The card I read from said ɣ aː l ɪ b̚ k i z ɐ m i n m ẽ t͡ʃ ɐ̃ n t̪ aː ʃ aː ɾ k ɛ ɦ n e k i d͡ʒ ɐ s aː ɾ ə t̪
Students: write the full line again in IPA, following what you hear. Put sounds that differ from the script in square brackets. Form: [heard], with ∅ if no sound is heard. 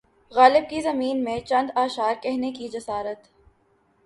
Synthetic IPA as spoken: ɣ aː l ɪ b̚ k i z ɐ m [iː] n m ẽ t͡ʃ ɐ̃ n [d̪] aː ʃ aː ɾ k ɛ ɦ n e k i d͡ʒ ɐ s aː ɾ ə t̪